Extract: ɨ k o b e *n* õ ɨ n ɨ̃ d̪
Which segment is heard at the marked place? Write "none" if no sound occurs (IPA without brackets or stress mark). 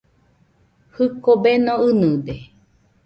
n